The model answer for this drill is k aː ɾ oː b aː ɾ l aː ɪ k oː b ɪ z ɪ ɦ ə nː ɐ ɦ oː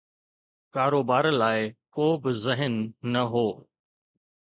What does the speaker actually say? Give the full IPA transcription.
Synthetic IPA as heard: k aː ɾ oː b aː ɾ l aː ɪ k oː b ɪ z ɪ ɦ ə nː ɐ ɦ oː